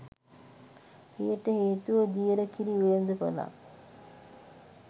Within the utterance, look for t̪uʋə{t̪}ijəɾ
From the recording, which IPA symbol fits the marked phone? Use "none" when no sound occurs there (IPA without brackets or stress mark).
d̪